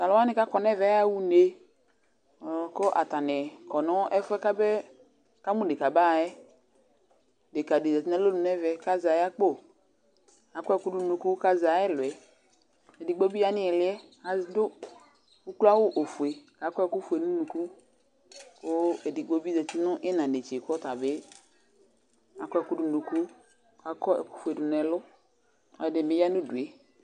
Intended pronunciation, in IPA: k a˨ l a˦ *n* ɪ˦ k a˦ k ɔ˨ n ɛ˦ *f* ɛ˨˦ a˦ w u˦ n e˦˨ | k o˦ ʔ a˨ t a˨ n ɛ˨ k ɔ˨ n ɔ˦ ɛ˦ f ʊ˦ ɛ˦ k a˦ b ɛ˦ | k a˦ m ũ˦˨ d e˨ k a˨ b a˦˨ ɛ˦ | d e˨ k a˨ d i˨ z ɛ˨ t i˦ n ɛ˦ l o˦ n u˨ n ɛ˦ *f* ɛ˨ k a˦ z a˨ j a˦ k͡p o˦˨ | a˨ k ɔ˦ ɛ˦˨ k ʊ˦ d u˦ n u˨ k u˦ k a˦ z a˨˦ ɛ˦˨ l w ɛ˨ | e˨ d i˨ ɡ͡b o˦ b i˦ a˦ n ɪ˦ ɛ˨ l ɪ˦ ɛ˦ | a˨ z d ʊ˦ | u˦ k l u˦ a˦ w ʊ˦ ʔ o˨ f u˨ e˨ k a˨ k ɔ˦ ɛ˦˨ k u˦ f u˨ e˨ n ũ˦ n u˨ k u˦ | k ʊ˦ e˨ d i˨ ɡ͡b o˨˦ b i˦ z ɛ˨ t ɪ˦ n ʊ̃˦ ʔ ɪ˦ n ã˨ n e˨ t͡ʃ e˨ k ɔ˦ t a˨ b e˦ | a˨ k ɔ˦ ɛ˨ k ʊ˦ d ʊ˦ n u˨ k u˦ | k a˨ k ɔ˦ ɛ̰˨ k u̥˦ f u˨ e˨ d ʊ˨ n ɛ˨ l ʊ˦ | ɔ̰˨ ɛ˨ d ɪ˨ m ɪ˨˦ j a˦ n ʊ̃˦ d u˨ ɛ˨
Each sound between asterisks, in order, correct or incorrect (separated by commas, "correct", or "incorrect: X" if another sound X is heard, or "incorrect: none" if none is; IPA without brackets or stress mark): correct, incorrect: v, incorrect: v